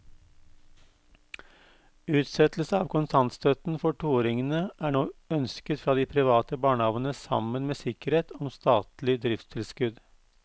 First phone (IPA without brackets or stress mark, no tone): ʉː